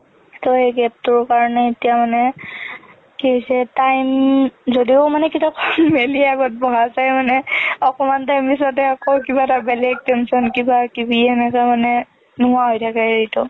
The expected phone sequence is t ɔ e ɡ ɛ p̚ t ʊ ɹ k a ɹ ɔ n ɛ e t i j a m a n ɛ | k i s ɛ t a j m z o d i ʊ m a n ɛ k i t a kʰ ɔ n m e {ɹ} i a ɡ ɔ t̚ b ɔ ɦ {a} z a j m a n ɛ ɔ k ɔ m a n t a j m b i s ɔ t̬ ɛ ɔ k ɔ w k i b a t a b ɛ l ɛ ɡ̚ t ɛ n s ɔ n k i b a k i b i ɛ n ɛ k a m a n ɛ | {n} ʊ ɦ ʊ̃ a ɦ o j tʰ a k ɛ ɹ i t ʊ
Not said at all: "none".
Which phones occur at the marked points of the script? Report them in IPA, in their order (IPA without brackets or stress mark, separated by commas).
l, a, n